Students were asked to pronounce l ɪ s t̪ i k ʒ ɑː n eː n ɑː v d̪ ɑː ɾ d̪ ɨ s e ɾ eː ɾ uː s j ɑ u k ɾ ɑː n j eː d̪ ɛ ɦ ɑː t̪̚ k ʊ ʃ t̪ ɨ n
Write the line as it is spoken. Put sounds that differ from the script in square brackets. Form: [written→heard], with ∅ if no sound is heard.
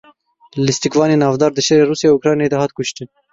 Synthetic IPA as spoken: l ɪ s t̪ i k [ʒ→v] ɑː n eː n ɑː v d̪ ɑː ɾ d̪ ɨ [s→ʃ] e ɾ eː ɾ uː s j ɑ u k ɾ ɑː n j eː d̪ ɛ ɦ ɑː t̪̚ k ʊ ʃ t̪ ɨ n